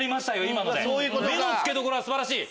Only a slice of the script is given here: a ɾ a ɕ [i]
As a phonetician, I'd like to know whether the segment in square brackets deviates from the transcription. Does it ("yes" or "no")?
yes